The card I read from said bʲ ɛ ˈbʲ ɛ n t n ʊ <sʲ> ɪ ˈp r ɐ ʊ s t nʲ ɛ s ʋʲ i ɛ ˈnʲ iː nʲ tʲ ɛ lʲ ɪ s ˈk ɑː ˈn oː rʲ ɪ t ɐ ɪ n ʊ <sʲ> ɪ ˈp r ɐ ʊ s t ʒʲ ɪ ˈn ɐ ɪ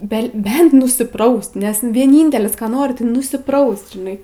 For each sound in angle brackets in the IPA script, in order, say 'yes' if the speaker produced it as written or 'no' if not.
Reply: yes, yes

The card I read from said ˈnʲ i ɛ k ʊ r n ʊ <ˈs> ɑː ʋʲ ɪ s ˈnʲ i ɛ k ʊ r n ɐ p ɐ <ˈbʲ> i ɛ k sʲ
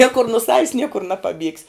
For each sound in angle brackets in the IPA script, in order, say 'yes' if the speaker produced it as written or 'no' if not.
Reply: yes, yes

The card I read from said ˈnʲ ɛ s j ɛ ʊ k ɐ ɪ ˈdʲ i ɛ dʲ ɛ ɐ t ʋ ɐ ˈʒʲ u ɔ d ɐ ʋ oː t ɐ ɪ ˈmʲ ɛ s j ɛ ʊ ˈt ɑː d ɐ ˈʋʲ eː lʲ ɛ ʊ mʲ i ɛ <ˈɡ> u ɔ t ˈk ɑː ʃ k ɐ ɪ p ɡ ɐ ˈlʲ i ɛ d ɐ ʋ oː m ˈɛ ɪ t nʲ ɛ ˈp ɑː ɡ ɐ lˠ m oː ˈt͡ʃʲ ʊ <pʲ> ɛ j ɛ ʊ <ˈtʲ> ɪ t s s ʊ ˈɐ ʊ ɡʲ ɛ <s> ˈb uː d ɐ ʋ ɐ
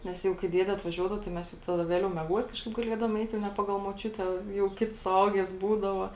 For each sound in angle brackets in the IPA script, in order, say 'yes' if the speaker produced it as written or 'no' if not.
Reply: yes, no, no, yes

